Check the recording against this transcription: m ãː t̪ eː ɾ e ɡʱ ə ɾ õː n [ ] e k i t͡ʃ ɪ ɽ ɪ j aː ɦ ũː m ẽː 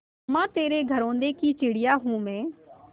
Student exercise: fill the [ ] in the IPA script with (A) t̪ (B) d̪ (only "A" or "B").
B